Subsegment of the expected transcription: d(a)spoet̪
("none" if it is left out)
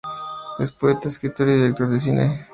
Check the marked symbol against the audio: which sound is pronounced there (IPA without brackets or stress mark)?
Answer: e